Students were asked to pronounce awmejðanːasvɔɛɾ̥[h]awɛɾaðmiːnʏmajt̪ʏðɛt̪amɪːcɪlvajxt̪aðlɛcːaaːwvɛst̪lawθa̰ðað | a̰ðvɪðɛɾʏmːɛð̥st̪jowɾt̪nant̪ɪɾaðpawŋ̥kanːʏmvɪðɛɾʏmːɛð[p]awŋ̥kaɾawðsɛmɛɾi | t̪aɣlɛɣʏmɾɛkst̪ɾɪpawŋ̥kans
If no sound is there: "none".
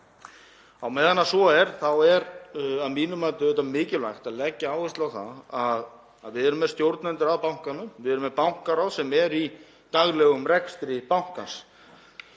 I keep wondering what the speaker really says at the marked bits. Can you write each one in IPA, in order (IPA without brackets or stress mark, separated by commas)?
θ, p